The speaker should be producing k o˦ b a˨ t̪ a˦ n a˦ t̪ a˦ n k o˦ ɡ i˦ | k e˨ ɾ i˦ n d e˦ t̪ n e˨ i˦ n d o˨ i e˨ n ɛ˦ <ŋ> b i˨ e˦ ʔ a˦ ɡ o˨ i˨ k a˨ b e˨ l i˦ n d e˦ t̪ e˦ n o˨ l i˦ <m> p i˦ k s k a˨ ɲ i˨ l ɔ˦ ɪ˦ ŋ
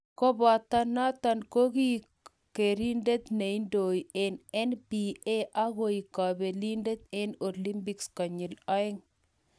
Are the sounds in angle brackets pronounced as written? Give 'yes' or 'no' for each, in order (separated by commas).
no, yes